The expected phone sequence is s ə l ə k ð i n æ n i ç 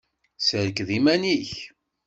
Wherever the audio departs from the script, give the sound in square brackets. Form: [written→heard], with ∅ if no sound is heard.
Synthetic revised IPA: s ə [l→ɾ] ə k ð i [n→m] æ n i ç